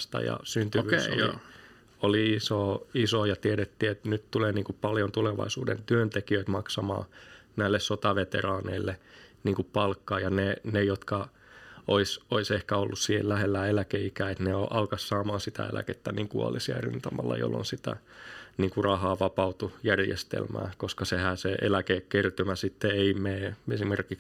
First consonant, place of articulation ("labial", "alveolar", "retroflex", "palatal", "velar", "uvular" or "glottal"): alveolar